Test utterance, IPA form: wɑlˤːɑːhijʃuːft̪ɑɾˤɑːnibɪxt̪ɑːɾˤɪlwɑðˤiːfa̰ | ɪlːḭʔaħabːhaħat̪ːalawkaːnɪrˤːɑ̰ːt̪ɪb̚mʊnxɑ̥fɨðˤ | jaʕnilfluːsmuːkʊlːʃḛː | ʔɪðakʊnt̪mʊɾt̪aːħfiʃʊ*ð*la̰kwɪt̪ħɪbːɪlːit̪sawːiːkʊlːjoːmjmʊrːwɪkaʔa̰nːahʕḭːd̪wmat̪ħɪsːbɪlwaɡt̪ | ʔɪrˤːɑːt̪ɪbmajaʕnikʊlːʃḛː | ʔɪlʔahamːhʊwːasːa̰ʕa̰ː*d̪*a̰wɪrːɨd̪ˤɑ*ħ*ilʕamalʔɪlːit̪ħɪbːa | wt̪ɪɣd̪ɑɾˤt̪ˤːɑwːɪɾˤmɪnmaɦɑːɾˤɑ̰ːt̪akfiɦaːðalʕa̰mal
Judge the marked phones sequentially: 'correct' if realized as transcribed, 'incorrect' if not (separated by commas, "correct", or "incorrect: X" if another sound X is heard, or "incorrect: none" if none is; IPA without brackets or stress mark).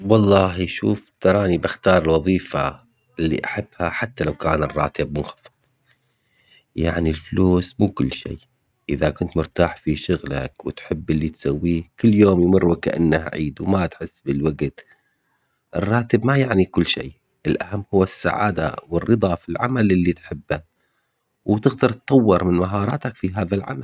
incorrect: ɣ, correct, incorrect: f